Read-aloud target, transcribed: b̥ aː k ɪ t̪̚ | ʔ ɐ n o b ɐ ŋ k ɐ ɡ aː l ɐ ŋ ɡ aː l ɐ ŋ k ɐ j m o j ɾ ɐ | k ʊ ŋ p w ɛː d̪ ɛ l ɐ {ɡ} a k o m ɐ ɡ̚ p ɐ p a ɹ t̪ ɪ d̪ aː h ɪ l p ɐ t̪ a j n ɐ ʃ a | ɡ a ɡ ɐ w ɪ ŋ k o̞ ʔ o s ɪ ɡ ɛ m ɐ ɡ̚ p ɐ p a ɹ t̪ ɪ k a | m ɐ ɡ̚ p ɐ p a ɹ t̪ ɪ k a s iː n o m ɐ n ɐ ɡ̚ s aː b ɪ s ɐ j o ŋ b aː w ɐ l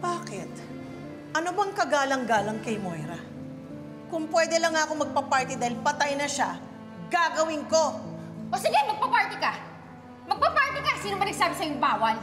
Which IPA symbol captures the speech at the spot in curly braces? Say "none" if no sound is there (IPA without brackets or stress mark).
ŋ